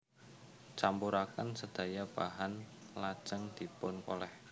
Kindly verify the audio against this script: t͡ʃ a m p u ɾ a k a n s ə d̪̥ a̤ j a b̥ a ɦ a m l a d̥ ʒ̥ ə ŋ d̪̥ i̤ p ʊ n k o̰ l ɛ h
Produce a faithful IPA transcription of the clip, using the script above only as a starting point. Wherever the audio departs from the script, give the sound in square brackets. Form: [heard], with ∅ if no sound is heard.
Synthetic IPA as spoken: t͡ʃ a m p u ɾ a k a n s ə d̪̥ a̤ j a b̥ a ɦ a [n] l a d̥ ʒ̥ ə ŋ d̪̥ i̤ p ʊ n k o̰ l ɛ h